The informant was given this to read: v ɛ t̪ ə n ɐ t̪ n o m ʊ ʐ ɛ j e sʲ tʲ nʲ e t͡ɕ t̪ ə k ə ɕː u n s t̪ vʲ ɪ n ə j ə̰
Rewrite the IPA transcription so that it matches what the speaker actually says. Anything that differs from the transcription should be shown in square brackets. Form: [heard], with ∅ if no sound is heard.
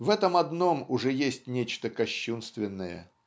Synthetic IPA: v ɛ t̪ ə [m] ɐ [d̪] n o m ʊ ʐ ɛ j e sʲ tʲ nʲ e t͡ɕ t̪ ə k [ɐ] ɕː u n s t̪ vʲ ɪ [nː] ə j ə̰